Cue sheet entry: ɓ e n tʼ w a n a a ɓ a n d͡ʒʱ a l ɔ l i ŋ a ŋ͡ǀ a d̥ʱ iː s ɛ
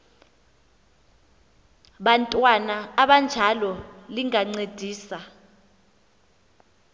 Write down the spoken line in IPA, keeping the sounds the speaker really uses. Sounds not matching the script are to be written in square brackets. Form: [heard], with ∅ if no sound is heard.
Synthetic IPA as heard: ɓ [a] n tʼ w a n a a ɓ a n d͡ʒʱ a l ɔ l i ŋ a ŋ͡ǀ [e] d̥ʱ iː s [a]